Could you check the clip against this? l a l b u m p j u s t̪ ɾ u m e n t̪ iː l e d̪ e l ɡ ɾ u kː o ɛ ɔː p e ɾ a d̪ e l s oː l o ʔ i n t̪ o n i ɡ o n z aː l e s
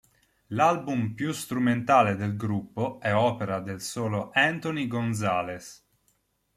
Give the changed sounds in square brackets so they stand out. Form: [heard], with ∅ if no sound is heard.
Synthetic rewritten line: l a l b u m p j u s t̪ ɾ u m e n t̪ [aː] l e d̪ e l ɡ ɾ u [pː] o ɛ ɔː p e ɾ a d̪ e l s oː l o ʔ [ɛ] n t̪ o n i ɡ o n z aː l e s